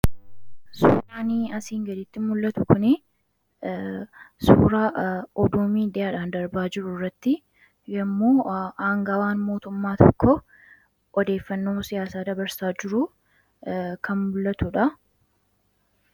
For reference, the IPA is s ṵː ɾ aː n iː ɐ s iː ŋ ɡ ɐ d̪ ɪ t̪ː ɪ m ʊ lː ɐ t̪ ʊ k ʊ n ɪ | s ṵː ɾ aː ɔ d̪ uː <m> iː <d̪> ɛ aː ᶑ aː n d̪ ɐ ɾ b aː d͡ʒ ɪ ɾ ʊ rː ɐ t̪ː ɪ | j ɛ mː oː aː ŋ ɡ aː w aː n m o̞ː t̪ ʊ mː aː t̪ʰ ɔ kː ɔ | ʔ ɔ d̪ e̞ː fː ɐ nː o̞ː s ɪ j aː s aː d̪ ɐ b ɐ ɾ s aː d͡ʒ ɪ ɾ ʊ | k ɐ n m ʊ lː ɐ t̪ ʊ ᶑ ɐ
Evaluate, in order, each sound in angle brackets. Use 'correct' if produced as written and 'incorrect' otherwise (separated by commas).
correct, correct